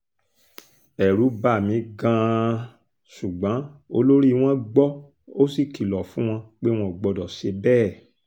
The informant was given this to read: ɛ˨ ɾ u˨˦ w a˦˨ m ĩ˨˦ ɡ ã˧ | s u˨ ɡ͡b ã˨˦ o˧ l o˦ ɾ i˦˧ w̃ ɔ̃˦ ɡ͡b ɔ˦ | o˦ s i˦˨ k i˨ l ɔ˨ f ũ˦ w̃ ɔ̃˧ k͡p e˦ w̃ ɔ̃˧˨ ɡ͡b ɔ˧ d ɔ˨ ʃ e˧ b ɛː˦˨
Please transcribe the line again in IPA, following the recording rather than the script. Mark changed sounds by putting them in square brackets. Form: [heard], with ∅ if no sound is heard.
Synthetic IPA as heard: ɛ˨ ɾ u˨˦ [b] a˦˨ m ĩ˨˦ ɡ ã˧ | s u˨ ɡ͡b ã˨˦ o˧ l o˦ ɾ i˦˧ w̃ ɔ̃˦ ɡ͡b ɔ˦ | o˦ s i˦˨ k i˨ l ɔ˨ f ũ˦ w̃ ɔ̃˧ k͡p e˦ w̃ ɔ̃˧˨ ɡ͡b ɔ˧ d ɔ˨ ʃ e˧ b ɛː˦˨

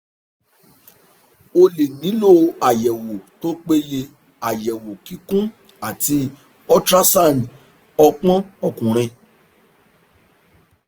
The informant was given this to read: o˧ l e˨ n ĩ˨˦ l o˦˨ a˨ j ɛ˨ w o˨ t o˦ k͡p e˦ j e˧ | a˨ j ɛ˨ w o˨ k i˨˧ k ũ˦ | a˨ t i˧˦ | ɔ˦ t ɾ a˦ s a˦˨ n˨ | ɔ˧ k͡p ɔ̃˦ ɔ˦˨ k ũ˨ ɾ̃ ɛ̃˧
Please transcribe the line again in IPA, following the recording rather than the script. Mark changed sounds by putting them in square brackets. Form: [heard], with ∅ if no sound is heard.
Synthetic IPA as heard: o˧ l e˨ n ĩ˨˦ l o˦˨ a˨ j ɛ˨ w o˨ t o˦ k͡p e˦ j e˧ | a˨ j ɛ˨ w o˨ k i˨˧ k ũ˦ | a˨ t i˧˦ | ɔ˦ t ɾ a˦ s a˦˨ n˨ | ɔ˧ k͡p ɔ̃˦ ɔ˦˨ k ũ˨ ɾ̃ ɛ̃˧

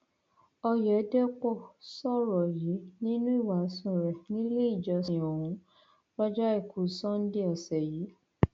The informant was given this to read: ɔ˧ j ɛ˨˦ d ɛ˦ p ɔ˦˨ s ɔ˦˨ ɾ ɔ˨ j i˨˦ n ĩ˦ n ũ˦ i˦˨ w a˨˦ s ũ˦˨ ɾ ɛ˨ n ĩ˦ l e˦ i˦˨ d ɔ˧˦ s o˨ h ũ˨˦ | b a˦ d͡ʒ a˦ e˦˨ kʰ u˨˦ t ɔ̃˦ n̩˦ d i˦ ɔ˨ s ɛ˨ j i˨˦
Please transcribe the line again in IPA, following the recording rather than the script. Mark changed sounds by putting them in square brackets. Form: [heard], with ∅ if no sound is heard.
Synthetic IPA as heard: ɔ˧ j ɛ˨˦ d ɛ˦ [k͡p] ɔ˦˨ s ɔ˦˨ ɾ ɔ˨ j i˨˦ n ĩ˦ n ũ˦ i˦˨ w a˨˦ s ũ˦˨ ɾ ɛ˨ n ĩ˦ l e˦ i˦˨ [d͡ʒ] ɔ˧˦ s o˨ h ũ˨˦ | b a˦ d͡ʒ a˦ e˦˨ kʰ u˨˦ [s] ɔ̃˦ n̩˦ d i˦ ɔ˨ s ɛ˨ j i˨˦

